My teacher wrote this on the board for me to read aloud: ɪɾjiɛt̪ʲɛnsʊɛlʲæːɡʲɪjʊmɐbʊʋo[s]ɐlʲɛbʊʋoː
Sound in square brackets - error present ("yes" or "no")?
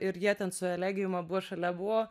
yes